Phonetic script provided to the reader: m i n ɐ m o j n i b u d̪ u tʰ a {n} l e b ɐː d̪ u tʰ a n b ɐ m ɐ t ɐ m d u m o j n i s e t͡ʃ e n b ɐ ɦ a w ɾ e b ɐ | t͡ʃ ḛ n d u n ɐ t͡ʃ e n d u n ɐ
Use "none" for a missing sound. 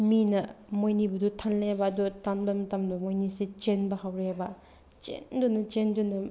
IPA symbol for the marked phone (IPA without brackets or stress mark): n